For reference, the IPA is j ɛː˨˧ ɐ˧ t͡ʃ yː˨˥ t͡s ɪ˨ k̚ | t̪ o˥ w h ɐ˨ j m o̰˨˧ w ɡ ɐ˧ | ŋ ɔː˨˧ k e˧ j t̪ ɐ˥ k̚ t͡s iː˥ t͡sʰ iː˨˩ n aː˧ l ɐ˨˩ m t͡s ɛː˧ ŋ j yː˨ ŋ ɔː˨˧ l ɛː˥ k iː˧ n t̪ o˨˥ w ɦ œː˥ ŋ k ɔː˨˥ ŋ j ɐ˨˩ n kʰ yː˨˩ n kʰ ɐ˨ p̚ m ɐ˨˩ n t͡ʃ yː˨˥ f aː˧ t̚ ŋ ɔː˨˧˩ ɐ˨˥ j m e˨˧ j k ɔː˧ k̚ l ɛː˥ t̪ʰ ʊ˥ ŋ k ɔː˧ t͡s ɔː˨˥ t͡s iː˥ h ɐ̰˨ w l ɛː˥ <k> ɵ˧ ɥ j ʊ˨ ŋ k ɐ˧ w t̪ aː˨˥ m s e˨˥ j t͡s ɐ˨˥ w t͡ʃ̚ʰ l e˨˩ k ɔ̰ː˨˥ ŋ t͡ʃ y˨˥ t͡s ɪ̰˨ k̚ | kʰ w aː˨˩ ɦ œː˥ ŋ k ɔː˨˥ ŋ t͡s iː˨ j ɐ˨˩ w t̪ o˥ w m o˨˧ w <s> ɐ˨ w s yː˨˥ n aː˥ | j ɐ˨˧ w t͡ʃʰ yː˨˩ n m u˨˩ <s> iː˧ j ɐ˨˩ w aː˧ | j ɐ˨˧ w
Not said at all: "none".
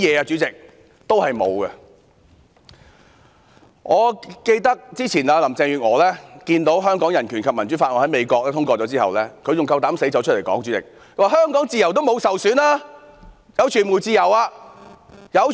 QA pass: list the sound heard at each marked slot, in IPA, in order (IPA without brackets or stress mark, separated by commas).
kʰ, s, t͡s